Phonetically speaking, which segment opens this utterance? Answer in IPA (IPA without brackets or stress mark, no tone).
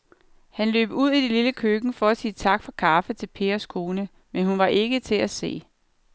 h